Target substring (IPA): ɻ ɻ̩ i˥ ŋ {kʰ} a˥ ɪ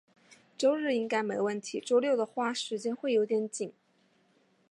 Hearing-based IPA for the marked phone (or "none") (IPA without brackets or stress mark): k